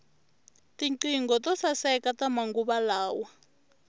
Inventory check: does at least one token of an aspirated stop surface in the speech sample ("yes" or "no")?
no